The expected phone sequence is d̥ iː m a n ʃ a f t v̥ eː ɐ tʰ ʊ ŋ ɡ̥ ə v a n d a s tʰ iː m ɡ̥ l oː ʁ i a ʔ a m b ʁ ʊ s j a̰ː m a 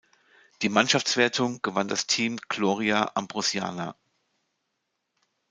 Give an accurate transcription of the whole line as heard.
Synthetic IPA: d̥ iː m a n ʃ a f t͡s v̥ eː ɐ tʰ ʊ ŋ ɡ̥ ə v a n d a s tʰ iː m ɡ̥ l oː ʁ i a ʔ a m b ʁ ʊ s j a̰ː n a